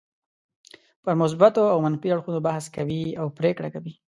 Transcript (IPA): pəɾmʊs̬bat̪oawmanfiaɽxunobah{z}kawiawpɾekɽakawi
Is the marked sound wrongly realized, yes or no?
yes